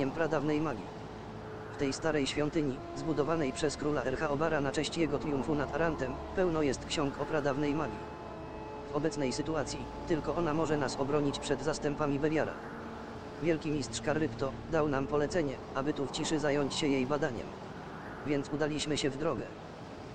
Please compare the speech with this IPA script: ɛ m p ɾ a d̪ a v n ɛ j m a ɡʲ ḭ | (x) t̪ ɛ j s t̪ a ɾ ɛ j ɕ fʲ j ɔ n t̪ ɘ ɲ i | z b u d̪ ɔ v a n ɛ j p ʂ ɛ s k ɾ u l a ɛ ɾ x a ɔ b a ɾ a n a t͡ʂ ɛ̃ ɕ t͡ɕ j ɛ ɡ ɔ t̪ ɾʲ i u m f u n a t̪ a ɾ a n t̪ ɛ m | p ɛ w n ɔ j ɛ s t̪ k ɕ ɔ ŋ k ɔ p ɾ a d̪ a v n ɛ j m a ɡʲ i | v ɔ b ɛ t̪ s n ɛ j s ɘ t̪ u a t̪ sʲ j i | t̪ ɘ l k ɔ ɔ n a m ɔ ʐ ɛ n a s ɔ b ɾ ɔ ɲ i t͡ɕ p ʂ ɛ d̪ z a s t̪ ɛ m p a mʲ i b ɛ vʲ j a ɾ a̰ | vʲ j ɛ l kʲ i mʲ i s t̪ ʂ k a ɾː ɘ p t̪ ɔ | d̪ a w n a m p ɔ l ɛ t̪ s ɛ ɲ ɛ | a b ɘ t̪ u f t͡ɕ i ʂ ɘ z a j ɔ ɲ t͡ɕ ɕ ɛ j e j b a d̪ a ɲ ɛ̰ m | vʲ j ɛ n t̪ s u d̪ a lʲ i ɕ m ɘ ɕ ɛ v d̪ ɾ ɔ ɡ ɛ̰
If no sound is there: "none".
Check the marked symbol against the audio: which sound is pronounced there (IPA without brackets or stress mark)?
f